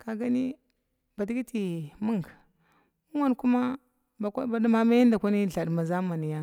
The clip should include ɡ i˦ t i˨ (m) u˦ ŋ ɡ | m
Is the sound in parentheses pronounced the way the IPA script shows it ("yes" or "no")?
yes